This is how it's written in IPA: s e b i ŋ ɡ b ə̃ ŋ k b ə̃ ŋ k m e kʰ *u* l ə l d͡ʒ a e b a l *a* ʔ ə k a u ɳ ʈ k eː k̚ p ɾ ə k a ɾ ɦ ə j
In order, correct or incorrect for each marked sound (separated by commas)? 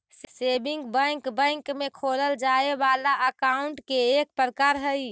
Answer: incorrect, correct